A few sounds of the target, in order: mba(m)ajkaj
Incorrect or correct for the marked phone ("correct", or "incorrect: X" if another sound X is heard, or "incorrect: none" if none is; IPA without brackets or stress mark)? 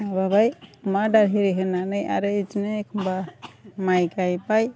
correct